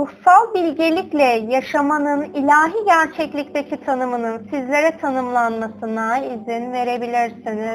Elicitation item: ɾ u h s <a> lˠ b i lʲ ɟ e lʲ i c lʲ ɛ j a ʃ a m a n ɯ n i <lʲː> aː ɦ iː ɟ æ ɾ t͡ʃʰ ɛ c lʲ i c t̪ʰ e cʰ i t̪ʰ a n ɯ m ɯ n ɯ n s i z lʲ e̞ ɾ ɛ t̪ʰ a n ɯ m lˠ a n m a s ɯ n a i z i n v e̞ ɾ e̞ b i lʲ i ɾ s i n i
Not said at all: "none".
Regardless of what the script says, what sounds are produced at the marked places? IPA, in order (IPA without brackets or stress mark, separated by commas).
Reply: a, lʲ